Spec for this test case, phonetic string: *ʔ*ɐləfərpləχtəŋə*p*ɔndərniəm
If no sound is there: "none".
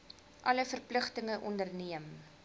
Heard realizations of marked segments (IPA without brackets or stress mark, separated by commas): ʔ, ʔ